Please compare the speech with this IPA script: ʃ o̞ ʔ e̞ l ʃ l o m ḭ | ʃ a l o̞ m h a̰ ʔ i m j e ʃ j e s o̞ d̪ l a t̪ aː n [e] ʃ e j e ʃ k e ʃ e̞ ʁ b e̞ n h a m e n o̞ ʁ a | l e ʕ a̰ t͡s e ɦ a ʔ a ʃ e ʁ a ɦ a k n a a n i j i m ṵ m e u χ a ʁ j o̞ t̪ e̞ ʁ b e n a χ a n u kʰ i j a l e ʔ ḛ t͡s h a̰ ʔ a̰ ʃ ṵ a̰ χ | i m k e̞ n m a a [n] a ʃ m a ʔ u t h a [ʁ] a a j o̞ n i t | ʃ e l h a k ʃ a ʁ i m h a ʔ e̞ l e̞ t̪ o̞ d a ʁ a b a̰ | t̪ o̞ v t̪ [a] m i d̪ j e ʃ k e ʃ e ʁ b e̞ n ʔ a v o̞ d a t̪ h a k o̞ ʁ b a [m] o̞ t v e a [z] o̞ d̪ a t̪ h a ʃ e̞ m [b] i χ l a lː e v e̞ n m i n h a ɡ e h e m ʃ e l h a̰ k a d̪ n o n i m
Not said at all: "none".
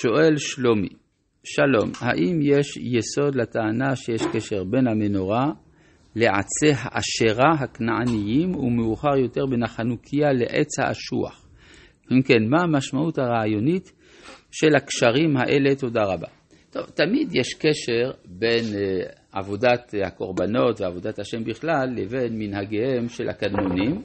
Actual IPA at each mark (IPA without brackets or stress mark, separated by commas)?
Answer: a, m, ʁ, a, n, v, b